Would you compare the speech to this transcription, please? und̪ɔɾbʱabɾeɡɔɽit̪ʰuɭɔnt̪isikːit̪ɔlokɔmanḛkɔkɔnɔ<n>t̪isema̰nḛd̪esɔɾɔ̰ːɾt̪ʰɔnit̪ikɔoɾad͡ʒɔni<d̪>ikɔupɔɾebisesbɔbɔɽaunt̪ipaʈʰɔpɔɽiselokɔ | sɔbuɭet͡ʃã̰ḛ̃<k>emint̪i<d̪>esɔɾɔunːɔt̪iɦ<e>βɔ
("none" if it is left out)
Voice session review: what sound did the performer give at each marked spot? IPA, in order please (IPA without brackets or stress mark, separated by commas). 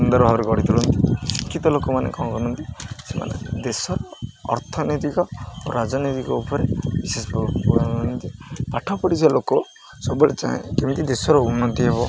n, t̪, k, d̪, e